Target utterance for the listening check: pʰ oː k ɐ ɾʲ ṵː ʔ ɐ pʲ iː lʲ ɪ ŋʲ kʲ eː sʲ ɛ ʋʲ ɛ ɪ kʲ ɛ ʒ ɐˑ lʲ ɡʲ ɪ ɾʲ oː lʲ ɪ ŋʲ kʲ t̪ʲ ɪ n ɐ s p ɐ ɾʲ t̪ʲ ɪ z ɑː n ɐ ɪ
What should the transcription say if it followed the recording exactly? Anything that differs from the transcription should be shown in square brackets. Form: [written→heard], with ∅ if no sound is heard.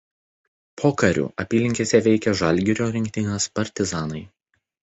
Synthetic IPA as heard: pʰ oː k ɐ ɾʲ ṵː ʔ ɐ pʲ iː lʲ ɪ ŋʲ kʲ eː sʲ ɛ ʋʲ ɛ ɪ kʲ ɛ ʒ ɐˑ lʲ ɡʲ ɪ ɾʲ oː [lʲ→ɾʲ] ɪ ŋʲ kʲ t̪ʲ ɪ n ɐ s p ɐ ɾʲ t̪ʲ ɪ z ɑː n ɐ ɪ